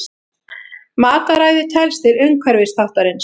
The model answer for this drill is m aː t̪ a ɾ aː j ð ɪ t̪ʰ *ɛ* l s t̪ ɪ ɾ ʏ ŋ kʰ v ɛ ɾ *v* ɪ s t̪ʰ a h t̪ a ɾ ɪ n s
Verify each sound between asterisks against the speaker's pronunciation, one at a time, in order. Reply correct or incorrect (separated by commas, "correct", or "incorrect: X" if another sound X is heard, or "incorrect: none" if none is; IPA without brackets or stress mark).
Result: correct, correct